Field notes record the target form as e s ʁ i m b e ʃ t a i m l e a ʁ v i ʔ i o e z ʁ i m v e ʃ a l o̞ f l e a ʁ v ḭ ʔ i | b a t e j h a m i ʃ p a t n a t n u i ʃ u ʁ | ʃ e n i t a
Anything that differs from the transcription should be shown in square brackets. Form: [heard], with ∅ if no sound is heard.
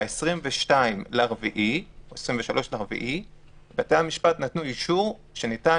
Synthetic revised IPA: e s ʁ i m [v] e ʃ t a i m l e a ʁ v i ʔ i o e [s] ʁ i m v e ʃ a l o̞ [ʃ] l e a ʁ v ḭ ʔ i | b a t e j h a m i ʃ p a t n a t n u i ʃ u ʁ | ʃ e n i t a